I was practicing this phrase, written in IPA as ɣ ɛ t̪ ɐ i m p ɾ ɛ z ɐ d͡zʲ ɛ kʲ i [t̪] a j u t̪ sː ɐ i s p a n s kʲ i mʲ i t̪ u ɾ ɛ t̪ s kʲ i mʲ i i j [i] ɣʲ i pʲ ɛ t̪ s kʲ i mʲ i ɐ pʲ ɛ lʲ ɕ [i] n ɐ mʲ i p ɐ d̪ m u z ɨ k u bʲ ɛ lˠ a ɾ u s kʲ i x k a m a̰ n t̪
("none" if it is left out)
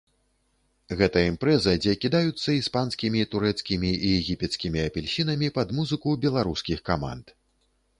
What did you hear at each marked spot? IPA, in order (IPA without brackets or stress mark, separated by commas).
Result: d̪, ɛ, i